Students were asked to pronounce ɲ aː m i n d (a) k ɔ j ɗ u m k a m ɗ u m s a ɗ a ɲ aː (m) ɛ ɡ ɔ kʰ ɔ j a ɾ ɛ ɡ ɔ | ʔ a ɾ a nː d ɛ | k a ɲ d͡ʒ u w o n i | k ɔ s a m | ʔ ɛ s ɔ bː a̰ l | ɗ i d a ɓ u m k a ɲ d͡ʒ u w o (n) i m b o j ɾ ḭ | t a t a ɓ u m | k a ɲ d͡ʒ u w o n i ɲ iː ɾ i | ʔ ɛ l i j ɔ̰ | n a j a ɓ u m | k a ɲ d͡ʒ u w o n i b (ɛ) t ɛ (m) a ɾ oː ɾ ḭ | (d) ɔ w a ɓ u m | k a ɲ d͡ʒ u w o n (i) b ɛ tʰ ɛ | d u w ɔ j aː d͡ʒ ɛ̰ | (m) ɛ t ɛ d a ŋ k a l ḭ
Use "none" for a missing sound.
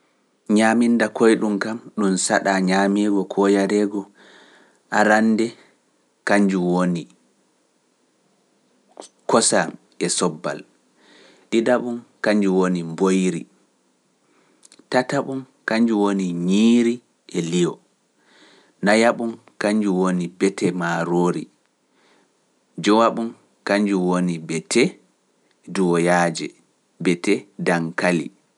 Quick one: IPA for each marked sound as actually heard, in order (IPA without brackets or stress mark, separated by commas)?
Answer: a, m, n, ɛ, m, d͡ʒ, i, b